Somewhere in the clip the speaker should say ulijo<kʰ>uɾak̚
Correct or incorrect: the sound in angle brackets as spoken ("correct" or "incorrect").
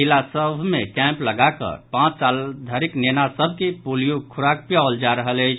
correct